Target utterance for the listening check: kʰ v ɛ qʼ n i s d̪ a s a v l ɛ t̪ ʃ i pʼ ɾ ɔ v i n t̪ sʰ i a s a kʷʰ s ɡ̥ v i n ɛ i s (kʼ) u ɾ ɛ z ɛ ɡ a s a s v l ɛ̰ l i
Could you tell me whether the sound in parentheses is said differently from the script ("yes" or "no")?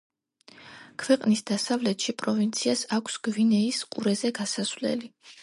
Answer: yes